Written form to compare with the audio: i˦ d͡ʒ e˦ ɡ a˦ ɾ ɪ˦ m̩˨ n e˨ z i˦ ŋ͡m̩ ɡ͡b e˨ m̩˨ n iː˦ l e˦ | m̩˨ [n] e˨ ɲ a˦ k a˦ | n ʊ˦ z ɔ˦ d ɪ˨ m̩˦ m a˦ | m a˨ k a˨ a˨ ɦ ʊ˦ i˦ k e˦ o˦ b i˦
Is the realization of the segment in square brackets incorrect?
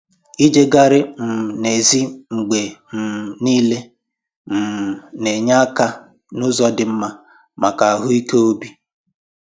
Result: no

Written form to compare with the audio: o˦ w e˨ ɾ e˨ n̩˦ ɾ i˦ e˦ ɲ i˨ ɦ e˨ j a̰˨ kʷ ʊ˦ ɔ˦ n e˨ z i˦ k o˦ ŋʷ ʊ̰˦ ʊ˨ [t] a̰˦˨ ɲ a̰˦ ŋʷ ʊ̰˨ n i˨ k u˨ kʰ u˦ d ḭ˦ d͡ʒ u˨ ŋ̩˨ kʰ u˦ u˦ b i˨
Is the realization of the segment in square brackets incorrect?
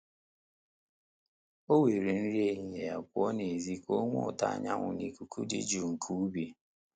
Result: no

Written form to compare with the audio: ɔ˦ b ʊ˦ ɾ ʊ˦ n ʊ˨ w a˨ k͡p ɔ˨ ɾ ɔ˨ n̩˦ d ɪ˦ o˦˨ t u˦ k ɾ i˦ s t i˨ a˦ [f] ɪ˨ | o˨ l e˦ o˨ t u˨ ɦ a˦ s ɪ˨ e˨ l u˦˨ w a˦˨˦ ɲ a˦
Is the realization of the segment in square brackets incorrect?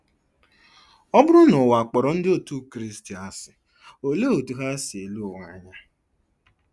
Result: yes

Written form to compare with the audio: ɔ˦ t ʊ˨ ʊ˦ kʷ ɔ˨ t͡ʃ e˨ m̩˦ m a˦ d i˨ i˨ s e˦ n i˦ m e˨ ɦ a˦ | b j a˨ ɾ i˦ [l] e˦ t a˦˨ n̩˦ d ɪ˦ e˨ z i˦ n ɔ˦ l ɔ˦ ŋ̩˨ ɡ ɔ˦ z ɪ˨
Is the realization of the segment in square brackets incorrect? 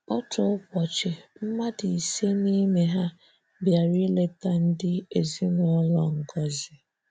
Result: no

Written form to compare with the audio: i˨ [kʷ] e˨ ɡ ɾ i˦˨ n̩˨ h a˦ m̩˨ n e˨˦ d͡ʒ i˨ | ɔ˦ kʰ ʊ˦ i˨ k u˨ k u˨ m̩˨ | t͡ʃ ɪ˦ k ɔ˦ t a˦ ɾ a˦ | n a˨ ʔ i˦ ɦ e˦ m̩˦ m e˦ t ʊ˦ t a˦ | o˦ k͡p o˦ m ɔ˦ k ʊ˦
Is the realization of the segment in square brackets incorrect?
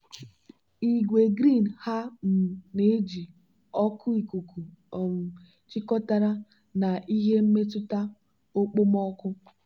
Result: yes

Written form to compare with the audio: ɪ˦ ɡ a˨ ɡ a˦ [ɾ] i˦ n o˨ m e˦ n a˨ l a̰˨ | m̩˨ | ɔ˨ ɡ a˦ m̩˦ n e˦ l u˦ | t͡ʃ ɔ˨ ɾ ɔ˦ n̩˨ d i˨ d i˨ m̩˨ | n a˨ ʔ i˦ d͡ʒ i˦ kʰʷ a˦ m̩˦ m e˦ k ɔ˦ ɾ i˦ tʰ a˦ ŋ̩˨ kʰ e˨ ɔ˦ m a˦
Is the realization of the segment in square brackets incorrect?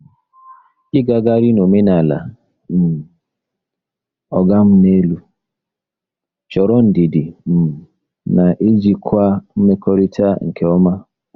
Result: no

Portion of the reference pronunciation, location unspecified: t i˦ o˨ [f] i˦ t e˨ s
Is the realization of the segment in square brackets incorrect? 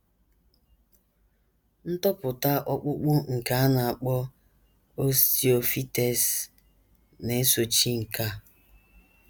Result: no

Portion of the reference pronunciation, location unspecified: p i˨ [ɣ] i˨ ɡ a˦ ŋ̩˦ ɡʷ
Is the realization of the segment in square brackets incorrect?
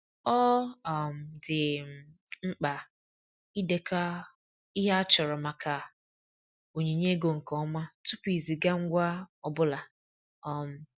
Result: yes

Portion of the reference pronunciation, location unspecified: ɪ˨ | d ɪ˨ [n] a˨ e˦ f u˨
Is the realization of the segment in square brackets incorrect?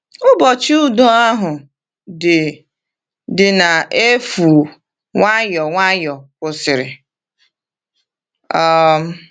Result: no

